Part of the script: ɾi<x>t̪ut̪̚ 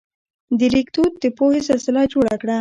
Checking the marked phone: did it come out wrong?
yes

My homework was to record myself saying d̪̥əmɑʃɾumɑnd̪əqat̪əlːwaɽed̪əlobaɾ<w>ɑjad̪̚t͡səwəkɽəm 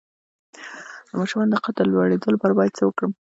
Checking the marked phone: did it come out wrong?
yes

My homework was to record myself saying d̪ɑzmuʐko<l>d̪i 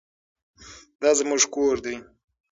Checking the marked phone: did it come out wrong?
yes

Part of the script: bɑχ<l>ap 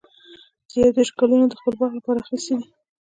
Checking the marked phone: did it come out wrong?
no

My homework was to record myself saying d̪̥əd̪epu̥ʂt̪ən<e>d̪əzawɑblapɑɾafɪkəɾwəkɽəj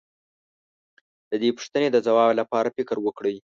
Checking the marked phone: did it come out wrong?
no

